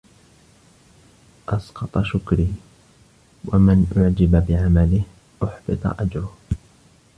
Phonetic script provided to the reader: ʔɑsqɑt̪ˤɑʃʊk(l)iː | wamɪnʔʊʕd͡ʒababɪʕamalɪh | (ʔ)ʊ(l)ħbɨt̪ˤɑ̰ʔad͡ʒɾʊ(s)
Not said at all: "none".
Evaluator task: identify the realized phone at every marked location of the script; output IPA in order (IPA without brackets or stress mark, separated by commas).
ɾ, ʔ, none, h